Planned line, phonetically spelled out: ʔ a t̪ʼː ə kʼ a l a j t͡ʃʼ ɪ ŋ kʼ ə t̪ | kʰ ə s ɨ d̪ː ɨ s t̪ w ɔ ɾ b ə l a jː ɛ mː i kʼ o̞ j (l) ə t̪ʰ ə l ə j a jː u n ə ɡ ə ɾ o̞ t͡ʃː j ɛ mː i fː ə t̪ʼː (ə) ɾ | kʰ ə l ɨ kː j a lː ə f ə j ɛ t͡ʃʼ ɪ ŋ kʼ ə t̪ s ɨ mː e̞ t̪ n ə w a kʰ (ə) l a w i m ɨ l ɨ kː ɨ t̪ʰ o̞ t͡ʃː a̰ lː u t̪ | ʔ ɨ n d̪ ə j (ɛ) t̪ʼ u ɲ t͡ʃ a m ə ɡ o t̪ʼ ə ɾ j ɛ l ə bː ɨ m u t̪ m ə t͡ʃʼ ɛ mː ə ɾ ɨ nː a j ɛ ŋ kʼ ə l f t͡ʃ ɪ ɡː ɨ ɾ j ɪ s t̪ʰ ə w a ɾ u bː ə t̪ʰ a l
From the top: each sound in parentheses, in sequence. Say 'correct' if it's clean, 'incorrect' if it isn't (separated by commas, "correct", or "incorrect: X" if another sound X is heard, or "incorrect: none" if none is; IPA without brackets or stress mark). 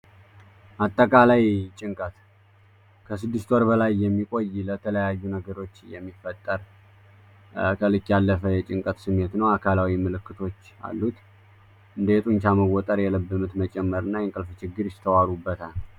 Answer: correct, correct, incorrect: a, correct